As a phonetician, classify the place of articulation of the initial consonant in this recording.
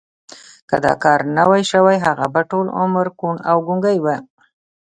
velar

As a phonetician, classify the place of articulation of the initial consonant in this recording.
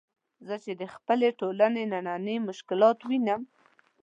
alveolar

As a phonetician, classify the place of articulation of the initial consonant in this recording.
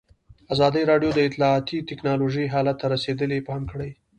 alveolar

